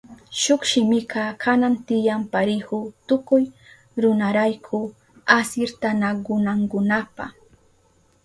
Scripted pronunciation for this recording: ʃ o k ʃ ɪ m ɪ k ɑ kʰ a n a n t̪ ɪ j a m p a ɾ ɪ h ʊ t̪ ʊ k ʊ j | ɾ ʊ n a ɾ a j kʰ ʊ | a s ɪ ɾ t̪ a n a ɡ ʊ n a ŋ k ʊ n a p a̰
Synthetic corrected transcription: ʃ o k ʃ ɪ m ɪ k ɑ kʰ a n a n t̪ ɪ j a m p a ɾ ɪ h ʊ t̪ ʊ k ʊ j | ɾ ʊ n a ɾ a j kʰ ʊ | a s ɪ ɾ t̪ a n a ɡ ʊ n a ŋ k ʊ n a p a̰